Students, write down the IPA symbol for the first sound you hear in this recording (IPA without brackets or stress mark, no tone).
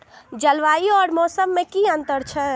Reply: d͡ʒ